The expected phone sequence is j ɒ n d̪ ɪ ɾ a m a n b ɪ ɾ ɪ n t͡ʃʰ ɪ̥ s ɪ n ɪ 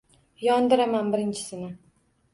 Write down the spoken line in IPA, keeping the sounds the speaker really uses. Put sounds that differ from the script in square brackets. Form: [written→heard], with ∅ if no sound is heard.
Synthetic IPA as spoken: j ɒ n d̪ ɪ ɾ a m a n b ɪ ɾ ɪ n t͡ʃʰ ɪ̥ s ɪ n ɪ

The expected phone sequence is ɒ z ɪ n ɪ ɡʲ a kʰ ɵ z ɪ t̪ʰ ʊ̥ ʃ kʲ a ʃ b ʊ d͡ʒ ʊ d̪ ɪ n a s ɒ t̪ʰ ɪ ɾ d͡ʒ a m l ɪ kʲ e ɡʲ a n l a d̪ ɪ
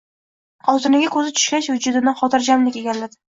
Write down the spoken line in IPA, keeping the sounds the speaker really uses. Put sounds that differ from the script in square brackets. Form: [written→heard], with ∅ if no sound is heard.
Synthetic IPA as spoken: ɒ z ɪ n ɪ ɡʲ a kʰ ɵ z ɪ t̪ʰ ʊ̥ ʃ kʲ a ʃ [b→v] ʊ d͡ʒ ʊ d̪ ɪ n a [s→χ] ɒ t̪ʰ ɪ ɾ d͡ʒ a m l ɪ kʲ e ɡʲ a n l a d̪ ɪ

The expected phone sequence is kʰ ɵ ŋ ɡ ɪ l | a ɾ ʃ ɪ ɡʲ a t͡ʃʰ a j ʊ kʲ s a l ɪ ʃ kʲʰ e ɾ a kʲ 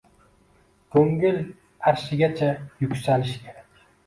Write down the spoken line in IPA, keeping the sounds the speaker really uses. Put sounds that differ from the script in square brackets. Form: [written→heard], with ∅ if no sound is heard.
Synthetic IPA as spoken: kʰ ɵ ŋ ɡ ɪ l | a ɾ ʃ ɪ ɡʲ a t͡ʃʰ a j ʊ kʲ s a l ɪ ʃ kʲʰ e ɾ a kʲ

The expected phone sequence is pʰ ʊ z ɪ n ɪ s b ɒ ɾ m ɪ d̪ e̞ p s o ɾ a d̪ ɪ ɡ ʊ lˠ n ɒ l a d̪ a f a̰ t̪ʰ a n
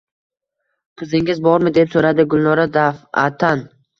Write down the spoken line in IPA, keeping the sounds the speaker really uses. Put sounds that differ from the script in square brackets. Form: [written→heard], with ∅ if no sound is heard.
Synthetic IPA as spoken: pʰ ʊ z ɪ [n→ŋ] ɪ [s→z] b ɒ ɾ m ɪ d̪ e̞ p s o ɾ a d̪ ɪ ɡ ʊ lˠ n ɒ [l→ɾ] a d̪ a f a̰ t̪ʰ a n

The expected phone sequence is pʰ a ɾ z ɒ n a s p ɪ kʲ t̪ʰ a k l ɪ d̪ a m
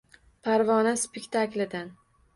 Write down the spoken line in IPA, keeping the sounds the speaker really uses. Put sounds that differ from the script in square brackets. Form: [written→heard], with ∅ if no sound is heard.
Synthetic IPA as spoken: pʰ a ɾ [z→v] ɒ n a s p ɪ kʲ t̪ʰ a k l ɪ d̪ a [m→n]

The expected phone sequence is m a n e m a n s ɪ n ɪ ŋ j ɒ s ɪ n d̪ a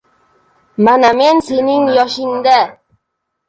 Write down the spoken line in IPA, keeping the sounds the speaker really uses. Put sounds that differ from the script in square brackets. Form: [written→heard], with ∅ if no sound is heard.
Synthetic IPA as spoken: m a n [e→a] m [a→e] n s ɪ n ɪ ŋ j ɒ [s→ʃ] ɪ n d̪ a

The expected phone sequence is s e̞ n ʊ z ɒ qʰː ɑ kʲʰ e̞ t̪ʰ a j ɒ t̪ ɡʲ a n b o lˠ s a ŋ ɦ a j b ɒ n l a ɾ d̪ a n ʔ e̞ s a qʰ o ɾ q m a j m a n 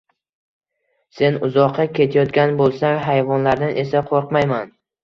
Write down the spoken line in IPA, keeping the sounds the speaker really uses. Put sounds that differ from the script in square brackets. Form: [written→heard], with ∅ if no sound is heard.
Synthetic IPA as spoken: s e̞ n ʊ z ɒ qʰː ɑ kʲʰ e̞ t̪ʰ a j ɒ t̪ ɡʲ a n b o lˠ s a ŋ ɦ a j [b→v] ɒ n l a ɾ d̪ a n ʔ e̞ s a qʰ o ɾ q m a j m a n

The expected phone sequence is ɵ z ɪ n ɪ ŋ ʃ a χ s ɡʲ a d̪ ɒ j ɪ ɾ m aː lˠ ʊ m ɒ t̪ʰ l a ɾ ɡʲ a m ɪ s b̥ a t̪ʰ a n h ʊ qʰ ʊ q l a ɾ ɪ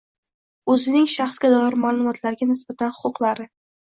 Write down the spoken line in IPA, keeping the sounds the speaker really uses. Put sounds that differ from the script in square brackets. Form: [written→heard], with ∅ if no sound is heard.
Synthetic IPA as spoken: ɵ z ɪ n ɪ ŋ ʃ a χ s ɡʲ a d̪ ɒ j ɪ ɾ m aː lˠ ʊ m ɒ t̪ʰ l a ɾ ɡʲ a [m→n] ɪ s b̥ a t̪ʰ a n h ʊ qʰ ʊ q l a ɾ ɪ

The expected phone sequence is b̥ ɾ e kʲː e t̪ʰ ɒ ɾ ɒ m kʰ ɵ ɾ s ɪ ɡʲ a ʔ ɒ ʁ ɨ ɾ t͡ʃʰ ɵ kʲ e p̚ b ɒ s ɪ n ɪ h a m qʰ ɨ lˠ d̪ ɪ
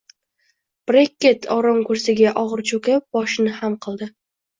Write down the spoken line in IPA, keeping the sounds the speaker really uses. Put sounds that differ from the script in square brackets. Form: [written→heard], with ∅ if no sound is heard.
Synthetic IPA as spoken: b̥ ɾ e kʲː e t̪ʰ ɒ ɾ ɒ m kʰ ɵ ɾ s ɪ ɡʲ a ʔ ɒ ʁ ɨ ɾ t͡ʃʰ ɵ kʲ [e→a] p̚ b ɒ [s→ʃ] ɪ n ɪ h a m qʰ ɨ lˠ d̪ ɪ

